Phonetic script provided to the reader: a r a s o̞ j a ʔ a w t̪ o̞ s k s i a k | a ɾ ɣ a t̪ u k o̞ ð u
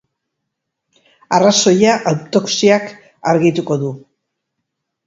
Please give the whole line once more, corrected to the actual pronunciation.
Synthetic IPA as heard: a r a s o̞ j a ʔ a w t̪ o̞ k s i a k | a ɾ ɣ i t̪ u k o̞ ð u